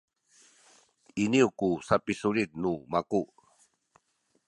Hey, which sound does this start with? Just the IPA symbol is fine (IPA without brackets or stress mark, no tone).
i